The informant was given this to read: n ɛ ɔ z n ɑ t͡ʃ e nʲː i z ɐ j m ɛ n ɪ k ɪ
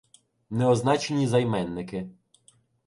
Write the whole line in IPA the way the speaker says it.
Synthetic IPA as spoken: n ɛ ɔ z n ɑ t͡ʃ e nʲ i z ɐ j m ɛ nː ɪ k ɪ